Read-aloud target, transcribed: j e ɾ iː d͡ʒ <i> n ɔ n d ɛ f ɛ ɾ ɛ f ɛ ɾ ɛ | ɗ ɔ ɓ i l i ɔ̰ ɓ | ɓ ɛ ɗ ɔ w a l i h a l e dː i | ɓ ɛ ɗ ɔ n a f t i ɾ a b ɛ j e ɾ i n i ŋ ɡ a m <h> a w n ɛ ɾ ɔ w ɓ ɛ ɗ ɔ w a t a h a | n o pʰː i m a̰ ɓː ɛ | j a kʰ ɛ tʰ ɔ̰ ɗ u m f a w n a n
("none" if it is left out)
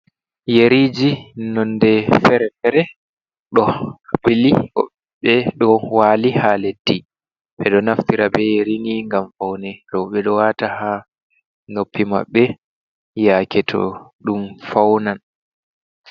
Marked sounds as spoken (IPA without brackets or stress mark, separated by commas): i, f